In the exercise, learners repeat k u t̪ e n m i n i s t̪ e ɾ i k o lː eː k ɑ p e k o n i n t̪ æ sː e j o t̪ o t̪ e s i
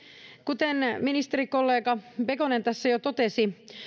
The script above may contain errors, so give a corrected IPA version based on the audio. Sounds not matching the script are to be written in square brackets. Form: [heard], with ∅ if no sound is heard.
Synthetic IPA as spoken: k u t̪ e n m i n i s t̪ e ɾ i k o lː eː k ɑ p e k o n [e] n t̪ æ sː [æ] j o t̪ o t̪ e s i